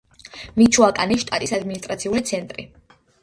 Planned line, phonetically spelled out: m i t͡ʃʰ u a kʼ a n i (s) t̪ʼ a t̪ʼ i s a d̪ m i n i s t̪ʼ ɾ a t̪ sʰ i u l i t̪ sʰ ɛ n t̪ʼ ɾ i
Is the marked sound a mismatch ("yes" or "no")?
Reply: yes